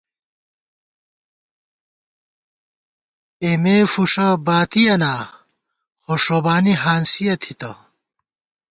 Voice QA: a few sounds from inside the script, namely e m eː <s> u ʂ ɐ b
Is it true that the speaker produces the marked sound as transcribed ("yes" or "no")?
no